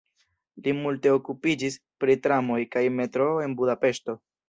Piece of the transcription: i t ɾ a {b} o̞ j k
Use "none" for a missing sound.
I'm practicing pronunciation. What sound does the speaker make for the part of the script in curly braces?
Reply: m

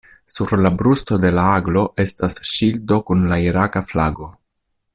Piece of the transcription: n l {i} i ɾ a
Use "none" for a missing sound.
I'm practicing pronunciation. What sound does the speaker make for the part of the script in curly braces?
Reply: a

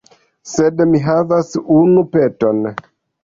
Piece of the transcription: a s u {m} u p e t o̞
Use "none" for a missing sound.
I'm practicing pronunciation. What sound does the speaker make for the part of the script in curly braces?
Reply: n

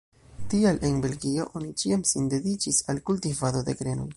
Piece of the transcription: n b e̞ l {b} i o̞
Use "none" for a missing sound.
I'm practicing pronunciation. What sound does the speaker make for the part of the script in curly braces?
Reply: ɡ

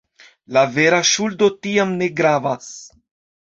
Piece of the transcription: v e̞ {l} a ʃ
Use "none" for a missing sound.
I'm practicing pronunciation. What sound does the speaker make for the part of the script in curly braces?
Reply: ɾ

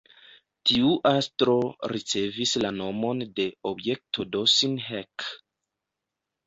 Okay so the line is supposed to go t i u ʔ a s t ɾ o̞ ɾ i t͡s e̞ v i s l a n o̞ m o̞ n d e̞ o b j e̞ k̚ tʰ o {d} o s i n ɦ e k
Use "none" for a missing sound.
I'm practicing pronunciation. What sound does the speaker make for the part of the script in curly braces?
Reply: d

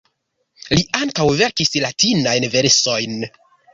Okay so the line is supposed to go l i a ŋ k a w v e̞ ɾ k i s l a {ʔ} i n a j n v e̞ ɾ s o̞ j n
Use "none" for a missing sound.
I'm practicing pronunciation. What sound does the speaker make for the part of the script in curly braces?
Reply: t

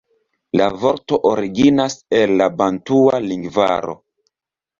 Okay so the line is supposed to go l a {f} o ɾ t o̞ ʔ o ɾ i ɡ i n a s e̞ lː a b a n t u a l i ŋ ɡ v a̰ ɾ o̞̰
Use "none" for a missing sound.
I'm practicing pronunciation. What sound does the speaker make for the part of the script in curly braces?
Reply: v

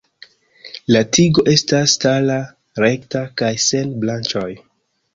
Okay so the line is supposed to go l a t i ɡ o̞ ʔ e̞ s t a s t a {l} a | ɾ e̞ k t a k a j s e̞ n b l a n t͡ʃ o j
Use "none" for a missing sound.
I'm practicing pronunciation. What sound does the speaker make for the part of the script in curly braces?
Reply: l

